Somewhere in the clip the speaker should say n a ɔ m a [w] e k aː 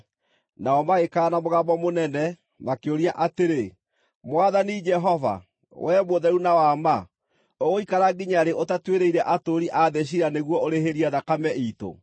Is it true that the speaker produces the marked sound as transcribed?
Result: no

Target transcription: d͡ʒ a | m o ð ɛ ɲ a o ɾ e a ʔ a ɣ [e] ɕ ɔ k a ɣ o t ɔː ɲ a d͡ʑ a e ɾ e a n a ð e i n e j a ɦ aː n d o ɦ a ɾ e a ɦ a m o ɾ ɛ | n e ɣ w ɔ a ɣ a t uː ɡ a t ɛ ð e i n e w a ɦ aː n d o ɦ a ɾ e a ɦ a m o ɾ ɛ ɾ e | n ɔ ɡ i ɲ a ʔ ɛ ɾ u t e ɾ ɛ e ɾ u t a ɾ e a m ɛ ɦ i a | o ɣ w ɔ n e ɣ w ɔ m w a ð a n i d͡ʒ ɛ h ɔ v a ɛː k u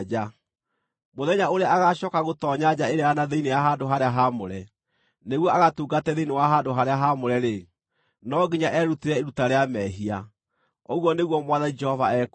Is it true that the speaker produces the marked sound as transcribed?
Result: no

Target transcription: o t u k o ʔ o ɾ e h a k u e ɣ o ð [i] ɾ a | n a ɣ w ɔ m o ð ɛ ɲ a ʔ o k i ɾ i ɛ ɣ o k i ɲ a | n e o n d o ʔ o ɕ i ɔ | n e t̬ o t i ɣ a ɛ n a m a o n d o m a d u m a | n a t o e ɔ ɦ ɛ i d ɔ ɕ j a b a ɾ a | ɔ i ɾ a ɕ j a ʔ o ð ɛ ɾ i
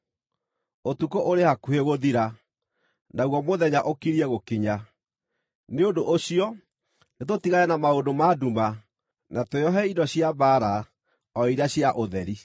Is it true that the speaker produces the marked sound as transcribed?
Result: yes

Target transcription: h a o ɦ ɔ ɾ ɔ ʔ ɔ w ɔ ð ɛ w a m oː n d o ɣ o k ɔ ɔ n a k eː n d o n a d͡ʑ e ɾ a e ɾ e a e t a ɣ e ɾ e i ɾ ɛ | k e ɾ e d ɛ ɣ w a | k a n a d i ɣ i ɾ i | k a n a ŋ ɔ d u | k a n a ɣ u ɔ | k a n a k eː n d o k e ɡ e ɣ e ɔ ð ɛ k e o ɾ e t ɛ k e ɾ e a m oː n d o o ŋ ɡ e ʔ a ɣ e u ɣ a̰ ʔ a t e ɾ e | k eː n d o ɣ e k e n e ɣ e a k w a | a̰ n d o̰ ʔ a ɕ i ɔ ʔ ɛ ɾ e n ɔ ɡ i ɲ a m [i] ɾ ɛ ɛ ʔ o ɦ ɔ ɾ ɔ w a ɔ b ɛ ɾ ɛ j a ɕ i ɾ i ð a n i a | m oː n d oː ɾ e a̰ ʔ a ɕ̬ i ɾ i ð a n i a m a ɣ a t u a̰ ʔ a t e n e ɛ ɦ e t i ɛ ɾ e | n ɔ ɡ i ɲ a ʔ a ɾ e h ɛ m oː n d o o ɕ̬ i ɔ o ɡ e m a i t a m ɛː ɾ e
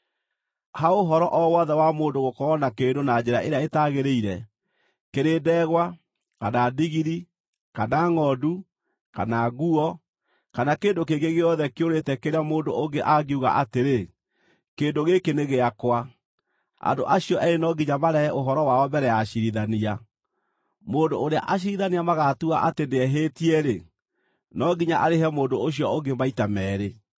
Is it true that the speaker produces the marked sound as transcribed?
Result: no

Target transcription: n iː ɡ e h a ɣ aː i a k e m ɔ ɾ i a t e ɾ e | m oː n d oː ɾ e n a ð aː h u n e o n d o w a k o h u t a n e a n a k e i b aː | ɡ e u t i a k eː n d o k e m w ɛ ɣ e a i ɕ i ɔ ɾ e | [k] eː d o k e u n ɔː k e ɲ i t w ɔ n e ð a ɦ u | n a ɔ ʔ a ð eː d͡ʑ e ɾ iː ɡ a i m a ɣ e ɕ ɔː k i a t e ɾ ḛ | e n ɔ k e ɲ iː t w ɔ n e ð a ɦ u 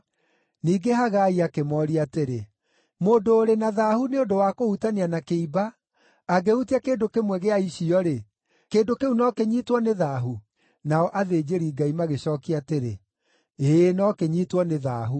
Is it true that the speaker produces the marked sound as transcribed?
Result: yes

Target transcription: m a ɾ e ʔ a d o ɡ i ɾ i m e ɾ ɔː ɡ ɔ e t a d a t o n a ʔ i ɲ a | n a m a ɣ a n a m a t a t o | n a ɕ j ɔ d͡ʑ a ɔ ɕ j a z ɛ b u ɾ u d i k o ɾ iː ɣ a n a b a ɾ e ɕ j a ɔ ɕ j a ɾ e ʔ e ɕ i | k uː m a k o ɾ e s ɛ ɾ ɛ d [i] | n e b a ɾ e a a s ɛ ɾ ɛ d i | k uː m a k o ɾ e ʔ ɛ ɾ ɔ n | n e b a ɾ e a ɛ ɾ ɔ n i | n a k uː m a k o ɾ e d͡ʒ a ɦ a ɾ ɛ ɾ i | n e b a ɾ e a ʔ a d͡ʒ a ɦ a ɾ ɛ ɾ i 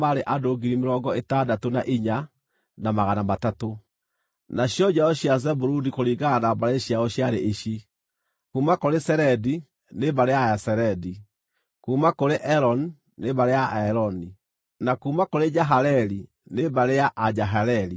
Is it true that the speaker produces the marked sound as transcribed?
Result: yes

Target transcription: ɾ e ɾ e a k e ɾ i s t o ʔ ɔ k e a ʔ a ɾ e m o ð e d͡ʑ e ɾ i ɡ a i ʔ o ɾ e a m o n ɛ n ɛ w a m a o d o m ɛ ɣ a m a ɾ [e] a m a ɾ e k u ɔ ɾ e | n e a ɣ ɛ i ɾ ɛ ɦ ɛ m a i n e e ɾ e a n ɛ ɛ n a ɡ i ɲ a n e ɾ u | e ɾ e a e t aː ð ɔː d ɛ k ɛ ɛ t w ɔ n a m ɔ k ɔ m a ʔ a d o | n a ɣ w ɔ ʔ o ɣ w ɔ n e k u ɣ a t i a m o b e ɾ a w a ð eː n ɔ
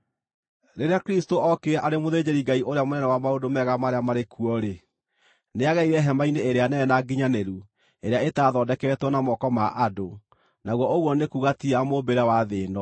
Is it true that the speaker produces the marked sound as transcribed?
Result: yes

